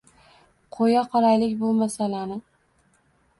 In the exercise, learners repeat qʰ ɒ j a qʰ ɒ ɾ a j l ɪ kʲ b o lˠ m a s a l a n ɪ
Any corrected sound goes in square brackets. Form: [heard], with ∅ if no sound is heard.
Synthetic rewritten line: qʰ [o] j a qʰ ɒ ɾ a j l ɪ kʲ b o lˠ m a s a l a n ɪ